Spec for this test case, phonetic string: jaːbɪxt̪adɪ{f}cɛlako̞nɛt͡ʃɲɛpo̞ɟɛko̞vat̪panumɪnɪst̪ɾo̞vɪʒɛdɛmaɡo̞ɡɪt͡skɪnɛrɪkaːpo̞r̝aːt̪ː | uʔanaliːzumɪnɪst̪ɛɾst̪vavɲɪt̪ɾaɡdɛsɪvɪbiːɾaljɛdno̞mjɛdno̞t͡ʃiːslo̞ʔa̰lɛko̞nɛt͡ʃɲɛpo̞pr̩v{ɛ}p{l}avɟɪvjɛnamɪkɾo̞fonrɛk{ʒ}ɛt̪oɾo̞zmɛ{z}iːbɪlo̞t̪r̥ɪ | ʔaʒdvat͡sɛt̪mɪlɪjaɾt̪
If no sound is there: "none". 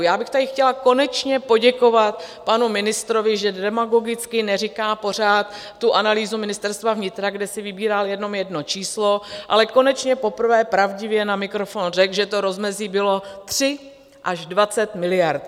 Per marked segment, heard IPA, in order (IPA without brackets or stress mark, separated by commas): x, ɛː, ɾ, ʒ, z